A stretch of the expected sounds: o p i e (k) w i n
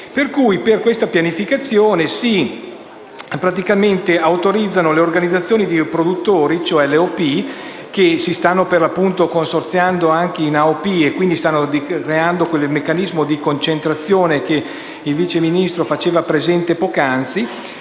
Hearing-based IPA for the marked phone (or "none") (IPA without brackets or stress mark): k